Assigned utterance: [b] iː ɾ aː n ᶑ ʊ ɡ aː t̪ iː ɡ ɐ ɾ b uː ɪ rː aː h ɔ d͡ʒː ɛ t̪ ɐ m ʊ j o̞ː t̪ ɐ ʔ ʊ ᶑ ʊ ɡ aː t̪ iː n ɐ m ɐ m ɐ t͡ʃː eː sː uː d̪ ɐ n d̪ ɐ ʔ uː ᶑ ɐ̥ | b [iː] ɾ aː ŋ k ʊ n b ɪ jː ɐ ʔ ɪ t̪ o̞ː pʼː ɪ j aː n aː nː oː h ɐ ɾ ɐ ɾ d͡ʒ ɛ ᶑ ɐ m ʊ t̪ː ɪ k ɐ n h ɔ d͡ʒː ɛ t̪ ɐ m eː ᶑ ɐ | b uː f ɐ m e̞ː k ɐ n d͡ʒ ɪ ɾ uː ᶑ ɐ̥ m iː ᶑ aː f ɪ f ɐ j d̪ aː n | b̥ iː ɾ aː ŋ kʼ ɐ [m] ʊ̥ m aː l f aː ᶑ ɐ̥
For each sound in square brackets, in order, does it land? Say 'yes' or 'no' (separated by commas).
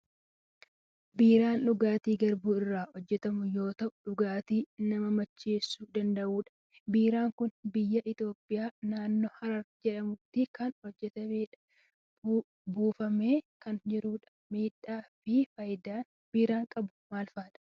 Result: yes, yes, no